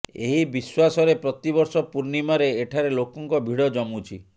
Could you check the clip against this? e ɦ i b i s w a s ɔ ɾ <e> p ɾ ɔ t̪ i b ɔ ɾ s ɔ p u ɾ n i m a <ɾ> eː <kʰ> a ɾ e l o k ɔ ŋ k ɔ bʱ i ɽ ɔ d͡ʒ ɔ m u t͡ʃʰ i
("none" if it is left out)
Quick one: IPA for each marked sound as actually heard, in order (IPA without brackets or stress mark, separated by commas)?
e, ɾ, ʈʰ